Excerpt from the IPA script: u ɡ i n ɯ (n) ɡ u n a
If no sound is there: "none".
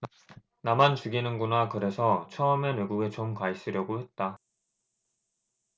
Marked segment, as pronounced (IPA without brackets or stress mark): n